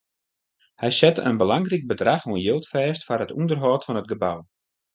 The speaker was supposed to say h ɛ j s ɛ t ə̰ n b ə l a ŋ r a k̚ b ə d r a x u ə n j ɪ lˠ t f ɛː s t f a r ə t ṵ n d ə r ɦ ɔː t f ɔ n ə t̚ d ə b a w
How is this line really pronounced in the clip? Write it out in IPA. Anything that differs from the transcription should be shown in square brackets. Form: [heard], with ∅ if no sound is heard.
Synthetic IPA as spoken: h ɛ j s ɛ t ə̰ n b ə l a ŋ r [i] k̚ b ə d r a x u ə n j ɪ lˠ t f ɛː s t f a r ə t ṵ n d ə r ɦ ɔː t f ɔ n ə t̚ [ɡ] ə b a w